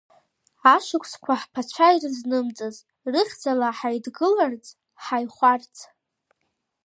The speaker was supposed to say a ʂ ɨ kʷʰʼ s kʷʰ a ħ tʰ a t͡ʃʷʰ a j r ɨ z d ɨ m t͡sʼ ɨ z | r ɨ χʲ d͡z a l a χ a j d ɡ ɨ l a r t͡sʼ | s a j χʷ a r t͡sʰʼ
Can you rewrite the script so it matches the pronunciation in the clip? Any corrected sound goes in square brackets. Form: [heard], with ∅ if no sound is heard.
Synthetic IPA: a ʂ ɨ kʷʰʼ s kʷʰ a ħ [pʰ] a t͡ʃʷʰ a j r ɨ z [n] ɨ m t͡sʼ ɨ z | r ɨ χʲ d͡z a l a [ħ] a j d ɡ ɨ l a r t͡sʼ | [ħ] a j χʷ a r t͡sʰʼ

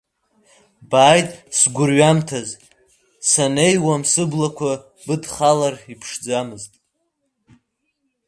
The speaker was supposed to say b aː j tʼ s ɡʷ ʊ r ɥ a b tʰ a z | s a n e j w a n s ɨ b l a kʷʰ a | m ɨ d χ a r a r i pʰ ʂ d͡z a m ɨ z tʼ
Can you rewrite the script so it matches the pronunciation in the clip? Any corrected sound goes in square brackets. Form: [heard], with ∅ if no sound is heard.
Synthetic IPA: b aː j tʼ s ɡʷ ʊ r ɥ a [m] tʰ a z | s a n e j w a [m] s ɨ b l a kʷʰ a | [b] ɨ d χ a [l] a r i pʰ ʂ d͡z a m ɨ z tʼ

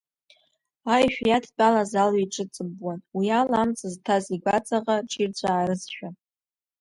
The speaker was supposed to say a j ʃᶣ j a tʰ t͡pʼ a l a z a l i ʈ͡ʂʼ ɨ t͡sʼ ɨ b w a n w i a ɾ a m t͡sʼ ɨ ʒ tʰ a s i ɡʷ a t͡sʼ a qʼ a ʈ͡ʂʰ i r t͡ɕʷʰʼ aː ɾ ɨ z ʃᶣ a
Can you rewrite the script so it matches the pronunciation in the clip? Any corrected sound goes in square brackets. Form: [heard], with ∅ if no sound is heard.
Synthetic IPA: a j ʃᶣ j a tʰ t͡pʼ a l a z a l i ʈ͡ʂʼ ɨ t͡sʼ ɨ b w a n w i a [l] a m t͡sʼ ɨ [z] tʰ a [z] i ɡʷ a t͡sʼ a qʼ a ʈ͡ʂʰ i r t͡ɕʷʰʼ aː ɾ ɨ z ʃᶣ a

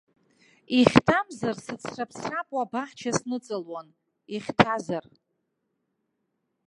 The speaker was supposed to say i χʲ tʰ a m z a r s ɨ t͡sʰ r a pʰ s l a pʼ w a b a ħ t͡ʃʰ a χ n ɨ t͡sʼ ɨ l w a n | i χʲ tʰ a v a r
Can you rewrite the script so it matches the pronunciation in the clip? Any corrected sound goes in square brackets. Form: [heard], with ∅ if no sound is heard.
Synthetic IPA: i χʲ tʰ a m z a r s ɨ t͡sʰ r a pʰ s [r] a pʼ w a b a ħ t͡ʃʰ a [s] n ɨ t͡sʼ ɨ l w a n | i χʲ tʰ a [z] a r

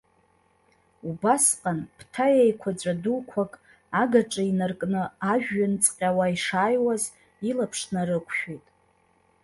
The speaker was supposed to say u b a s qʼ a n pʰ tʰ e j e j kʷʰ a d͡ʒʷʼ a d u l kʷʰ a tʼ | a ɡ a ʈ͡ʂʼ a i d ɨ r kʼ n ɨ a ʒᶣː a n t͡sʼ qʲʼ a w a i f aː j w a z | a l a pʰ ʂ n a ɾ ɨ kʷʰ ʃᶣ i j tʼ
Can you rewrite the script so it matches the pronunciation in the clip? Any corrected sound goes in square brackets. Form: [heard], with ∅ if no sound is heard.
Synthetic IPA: u b a s qʼ a n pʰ tʰ [a] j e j kʷʰ a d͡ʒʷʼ a d u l kʷʰ a [kʼ] | a ɡ a ʈ͡ʂʼ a i [n] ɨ r kʼ n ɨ a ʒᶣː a n t͡sʼ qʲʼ a w a i [ʂ] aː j w a z | [i] l a pʰ ʂ n a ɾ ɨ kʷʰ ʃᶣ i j tʼ

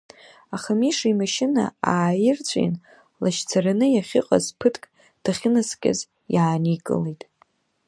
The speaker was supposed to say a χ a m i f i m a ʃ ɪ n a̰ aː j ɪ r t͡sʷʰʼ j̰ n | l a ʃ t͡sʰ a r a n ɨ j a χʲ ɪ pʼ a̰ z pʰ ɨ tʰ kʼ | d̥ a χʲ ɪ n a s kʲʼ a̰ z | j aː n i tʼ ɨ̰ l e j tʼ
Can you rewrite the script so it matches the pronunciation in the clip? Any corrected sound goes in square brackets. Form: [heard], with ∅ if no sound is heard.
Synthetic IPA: a χ a m i [ʂ] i m a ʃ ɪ n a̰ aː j ɪ r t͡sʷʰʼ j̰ n | l a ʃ t͡sʰ a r a n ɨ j a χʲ ɪ [qʼ] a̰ z pʰ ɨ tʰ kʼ | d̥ a χʲ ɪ n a s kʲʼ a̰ z | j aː n i [kʼ] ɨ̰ l e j tʼ

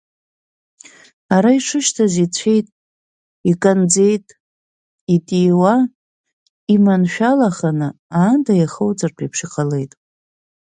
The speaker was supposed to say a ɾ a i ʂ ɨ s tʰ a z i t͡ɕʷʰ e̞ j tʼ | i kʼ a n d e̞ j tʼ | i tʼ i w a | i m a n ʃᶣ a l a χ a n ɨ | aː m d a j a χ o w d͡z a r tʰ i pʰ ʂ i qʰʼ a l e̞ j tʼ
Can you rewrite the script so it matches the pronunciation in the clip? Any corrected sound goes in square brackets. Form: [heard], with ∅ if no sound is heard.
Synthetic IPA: a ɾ a i ʂ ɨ [ʃ] tʰ a z i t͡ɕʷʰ e̞ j tʼ | i kʼ a n [d͡z] e̞ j tʼ | i tʼ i w a | i m a n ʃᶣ a l a χ a n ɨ | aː [n] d a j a χ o w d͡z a r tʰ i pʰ ʂ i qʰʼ a l e̞ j tʼ

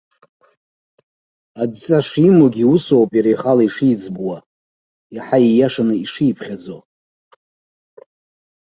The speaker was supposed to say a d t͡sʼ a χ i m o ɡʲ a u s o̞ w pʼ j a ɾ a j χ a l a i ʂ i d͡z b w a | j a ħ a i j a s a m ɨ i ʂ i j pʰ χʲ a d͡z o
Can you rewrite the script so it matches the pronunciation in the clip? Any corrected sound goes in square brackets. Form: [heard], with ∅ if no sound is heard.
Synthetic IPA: a d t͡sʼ a [ʂ] i m o ɡʲ [i] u s o̞ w pʼ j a ɾ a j χ a l a i ʂ i d͡z b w a | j a ħ a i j a [ʂ] a [n] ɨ i ʂ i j pʰ χʲ a d͡z o

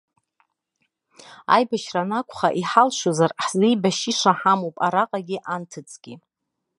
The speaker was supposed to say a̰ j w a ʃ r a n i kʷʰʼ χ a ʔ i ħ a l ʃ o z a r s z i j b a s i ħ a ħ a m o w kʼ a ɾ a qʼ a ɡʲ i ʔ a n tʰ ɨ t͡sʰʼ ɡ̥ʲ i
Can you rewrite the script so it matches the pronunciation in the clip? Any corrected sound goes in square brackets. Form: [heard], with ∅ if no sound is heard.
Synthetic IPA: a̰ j [b] a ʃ r a n [a] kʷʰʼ χ a ʔ i ħ a l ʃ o z a r [ħ] z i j b a [ʃ] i [ʂ] a ħ a m o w [pʼ] a ɾ a qʼ a ɡʲ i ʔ a n tʰ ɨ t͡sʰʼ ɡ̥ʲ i

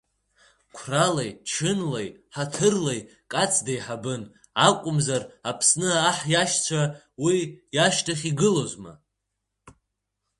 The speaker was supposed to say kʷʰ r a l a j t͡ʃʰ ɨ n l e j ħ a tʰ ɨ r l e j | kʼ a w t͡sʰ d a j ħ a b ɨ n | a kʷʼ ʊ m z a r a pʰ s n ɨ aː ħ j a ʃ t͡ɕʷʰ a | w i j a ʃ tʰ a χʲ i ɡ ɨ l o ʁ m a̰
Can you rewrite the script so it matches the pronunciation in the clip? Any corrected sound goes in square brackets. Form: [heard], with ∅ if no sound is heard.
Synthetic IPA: kʷʰ r a l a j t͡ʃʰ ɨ n l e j ħ a tʰ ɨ r l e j | kʼ a [∅] t͡sʰ d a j ħ a b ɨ n | a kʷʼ ʊ m z a r a pʰ s n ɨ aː ħ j a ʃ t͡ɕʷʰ a | w i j a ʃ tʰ a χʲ i ɡ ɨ l o [z] m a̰

